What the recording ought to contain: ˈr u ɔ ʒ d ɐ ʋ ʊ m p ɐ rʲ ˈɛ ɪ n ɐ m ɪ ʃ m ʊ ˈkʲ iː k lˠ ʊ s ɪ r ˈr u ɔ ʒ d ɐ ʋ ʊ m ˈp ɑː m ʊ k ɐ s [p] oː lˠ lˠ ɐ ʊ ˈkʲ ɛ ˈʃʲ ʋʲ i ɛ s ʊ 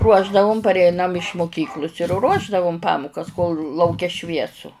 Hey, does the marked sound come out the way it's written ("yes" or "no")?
no